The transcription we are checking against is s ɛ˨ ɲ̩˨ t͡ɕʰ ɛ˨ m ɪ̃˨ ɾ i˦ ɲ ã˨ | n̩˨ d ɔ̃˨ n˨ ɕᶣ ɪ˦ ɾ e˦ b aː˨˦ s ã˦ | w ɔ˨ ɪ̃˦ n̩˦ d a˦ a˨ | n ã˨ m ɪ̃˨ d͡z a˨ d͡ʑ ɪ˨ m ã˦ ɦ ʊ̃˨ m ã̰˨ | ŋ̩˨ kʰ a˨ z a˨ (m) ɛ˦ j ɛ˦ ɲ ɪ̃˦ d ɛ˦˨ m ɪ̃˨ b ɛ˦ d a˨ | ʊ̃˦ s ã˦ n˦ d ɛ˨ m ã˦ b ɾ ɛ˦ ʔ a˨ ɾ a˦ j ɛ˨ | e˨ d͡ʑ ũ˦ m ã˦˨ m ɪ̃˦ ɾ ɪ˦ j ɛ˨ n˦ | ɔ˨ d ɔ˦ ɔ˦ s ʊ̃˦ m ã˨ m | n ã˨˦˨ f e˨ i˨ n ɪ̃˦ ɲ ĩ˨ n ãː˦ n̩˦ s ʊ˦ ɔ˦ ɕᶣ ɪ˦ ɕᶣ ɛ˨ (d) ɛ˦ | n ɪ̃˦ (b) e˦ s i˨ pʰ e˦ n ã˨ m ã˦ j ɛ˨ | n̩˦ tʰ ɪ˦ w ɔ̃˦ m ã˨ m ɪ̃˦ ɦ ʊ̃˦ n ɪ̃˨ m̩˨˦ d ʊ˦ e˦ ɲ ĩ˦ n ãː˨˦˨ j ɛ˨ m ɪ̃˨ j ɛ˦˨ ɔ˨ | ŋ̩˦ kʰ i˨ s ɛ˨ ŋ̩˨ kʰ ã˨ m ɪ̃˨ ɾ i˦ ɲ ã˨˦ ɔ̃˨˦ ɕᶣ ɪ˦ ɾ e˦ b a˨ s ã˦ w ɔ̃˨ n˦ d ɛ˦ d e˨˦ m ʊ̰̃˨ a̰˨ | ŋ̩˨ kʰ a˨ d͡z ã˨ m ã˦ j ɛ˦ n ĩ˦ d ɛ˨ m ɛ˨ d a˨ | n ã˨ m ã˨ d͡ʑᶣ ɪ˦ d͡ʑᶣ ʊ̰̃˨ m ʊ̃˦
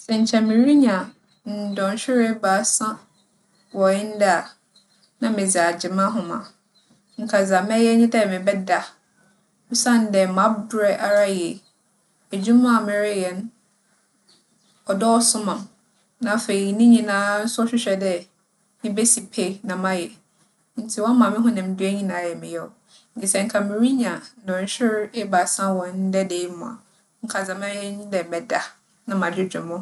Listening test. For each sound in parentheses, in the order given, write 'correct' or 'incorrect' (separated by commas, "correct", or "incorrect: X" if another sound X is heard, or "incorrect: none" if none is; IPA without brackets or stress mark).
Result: correct, correct, correct